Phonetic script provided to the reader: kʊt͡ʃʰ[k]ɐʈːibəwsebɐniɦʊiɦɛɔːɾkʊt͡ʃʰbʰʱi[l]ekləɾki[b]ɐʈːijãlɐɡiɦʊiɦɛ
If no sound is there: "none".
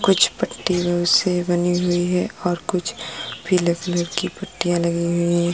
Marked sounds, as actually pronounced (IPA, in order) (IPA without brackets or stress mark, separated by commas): p, l, p